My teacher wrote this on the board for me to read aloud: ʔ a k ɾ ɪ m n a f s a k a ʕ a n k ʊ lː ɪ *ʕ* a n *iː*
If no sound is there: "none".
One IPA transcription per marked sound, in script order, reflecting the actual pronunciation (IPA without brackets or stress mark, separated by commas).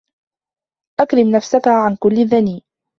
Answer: ð, iː